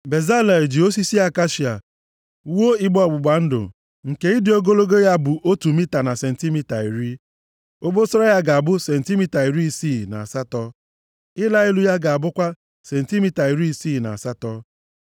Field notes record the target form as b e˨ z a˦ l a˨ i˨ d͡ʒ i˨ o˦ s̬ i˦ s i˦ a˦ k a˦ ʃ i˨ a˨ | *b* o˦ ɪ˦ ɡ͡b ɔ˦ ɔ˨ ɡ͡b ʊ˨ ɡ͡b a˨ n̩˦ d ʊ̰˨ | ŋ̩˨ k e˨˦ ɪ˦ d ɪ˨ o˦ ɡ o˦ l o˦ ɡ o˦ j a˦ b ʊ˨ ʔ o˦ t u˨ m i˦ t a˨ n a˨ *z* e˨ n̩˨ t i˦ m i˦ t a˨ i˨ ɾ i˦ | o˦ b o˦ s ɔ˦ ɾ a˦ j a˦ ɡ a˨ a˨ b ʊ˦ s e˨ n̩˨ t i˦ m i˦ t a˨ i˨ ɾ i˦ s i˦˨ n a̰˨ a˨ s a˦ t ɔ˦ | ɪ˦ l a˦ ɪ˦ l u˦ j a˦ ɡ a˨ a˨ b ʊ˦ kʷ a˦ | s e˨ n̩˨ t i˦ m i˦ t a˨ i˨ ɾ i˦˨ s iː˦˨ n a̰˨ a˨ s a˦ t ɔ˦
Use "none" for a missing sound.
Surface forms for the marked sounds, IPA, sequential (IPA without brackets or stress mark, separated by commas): w, s